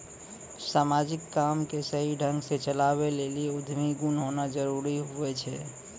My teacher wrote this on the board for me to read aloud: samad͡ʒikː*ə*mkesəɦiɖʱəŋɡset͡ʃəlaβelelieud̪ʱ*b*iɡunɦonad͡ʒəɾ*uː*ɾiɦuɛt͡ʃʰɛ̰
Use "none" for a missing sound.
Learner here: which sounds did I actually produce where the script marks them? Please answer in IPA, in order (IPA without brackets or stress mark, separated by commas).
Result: a, m, u